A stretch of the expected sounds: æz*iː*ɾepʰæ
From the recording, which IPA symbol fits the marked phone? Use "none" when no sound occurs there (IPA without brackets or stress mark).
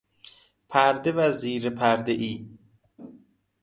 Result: iː